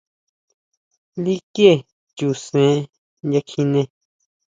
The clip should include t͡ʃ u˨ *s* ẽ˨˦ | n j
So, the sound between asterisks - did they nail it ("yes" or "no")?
yes